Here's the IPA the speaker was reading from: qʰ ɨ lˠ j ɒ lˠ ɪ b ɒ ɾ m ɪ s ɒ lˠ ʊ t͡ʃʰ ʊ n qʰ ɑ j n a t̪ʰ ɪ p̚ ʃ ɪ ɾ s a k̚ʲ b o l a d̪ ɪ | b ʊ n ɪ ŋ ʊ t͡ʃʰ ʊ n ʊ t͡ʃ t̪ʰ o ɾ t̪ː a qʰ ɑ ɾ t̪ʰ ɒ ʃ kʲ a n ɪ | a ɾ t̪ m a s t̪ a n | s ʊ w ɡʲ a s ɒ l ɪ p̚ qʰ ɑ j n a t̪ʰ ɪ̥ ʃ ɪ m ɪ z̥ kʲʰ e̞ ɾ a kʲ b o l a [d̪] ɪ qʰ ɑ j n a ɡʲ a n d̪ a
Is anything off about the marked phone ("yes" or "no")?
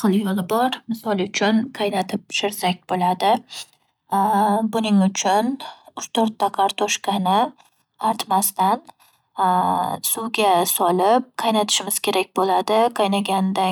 no